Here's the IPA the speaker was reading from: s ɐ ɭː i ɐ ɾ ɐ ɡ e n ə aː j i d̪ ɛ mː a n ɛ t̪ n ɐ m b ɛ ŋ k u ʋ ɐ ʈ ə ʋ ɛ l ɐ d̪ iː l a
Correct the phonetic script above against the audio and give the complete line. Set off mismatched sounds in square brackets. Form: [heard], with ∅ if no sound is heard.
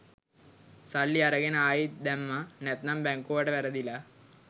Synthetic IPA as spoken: s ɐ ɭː i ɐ ɾ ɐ ɡ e n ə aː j i d̪ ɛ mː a n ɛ t̪ n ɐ m b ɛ ŋ k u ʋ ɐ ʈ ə ʋ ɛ [ɾ] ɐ d̪ [i] l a